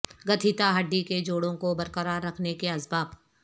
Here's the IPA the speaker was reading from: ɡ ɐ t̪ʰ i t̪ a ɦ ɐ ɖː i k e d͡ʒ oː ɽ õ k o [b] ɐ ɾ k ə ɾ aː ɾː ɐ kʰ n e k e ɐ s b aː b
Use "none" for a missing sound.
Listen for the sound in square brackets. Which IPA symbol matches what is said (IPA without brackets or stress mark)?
b